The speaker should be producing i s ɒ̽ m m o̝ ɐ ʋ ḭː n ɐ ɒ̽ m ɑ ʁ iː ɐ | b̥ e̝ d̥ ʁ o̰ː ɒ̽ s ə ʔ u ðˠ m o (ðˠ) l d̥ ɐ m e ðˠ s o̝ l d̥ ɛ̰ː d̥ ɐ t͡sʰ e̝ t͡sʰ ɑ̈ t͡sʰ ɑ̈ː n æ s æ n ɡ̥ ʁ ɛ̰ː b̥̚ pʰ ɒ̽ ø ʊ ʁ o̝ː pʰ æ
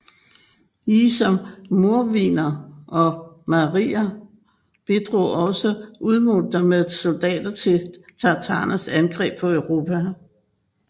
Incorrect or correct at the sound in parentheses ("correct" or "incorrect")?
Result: incorrect